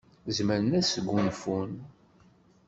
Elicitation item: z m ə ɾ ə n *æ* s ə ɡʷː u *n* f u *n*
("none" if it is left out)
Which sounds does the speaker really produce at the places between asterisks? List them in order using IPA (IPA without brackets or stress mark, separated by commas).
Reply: æ, n, n